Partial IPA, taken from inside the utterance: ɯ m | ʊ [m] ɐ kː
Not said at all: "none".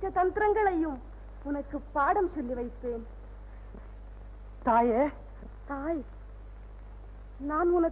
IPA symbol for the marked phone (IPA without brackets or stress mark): n